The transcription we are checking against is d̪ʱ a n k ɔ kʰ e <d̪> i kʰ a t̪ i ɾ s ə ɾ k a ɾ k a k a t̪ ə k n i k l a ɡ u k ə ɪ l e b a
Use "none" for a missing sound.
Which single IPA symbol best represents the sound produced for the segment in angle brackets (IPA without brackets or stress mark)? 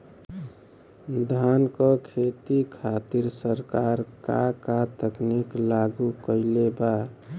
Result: t̪